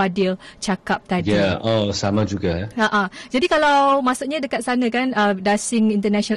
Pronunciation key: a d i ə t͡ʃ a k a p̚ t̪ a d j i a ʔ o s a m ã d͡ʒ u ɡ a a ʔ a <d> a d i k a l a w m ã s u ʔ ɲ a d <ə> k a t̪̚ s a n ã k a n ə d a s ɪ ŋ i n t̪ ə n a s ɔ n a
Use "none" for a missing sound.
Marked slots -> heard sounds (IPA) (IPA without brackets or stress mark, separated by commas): d͡ʒ, ə